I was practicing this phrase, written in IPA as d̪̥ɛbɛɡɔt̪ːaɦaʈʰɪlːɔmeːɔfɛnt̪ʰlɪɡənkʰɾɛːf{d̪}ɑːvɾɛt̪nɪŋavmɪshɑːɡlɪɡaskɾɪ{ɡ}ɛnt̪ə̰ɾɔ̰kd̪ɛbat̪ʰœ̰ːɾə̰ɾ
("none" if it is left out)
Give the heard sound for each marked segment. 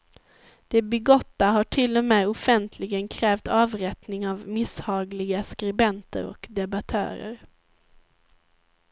t̪, b

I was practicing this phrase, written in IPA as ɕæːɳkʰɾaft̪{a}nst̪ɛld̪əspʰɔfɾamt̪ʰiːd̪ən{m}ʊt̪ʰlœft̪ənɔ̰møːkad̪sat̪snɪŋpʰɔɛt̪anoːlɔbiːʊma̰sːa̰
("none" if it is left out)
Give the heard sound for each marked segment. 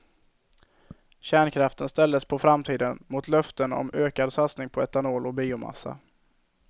ə, m

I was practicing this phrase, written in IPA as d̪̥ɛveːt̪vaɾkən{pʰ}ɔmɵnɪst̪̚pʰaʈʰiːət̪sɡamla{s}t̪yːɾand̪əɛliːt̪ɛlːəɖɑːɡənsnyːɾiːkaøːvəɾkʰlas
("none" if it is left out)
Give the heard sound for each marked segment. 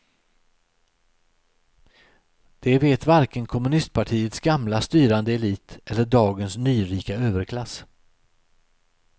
kʰ, s

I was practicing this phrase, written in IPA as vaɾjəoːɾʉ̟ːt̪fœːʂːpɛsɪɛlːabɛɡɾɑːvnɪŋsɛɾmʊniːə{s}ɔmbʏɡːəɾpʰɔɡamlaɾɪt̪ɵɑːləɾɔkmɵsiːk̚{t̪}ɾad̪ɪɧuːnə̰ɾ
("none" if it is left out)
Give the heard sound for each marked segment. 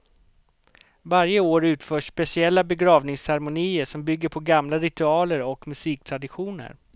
ʂ, t̪ʰ

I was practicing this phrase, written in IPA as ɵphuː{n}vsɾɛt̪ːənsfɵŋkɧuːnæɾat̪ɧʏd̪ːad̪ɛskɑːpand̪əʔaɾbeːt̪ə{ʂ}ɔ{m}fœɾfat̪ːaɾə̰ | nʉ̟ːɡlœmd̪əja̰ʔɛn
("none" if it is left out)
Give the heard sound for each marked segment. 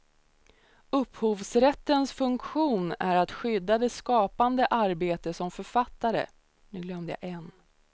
none, s, m

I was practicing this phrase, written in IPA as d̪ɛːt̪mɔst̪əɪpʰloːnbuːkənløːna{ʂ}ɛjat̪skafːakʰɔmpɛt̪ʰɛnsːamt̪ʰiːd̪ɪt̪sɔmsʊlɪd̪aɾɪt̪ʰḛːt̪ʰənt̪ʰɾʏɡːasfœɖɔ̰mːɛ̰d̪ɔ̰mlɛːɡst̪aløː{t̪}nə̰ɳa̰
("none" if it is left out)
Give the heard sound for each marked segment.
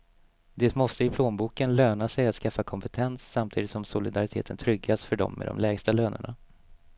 s, none

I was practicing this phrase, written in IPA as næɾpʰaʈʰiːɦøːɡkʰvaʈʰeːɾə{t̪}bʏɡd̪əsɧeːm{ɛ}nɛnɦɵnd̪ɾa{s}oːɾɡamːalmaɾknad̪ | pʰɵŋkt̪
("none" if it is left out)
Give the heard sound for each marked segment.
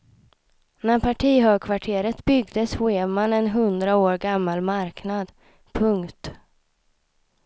t̪, a, none

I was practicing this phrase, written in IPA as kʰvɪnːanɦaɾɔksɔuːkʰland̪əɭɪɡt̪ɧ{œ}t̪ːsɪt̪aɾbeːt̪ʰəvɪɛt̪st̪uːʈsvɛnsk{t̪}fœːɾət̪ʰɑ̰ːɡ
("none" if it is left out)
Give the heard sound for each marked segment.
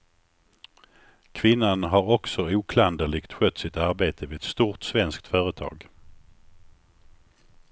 œ, t̪

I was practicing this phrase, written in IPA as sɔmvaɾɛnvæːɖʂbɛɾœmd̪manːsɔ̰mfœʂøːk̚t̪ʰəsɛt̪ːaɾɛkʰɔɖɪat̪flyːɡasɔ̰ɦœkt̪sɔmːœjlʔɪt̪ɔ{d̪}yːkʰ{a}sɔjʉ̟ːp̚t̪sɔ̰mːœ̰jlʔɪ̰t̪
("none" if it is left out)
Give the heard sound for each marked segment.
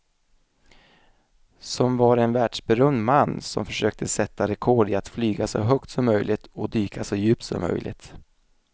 d̪, a

